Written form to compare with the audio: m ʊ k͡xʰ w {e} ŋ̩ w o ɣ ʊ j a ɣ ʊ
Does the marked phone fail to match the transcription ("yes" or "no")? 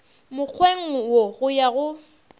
no